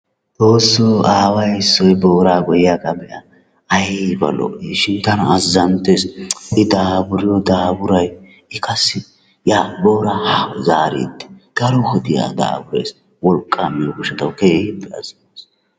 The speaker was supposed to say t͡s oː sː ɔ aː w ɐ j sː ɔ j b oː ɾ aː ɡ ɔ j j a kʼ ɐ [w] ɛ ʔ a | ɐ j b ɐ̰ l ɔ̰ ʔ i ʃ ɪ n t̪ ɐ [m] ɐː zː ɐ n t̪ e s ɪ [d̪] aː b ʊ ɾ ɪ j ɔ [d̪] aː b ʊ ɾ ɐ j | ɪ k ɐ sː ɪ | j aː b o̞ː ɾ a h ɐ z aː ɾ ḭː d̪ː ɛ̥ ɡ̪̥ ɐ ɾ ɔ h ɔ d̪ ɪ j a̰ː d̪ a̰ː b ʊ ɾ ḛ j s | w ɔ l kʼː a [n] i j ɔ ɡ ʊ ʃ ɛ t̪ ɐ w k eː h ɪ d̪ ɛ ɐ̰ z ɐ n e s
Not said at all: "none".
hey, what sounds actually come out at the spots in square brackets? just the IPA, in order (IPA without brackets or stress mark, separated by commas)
b, n, d̪, d̪, m